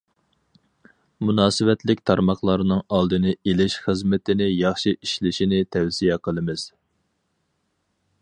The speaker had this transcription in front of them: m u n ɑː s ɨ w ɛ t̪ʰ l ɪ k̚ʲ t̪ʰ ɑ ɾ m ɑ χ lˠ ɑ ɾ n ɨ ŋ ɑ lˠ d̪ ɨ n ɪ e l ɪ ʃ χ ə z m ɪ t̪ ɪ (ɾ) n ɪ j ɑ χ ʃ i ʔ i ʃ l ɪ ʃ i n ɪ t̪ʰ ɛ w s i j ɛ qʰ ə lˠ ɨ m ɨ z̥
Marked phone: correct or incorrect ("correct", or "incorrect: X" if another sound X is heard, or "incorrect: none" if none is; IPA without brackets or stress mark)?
incorrect: none